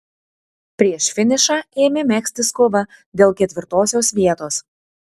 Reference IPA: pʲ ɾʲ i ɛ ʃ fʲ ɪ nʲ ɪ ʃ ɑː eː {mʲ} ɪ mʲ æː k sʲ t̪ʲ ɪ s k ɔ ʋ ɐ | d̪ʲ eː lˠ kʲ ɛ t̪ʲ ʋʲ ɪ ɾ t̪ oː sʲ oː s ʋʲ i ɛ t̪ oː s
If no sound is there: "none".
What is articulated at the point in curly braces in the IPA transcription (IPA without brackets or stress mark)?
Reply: mʲ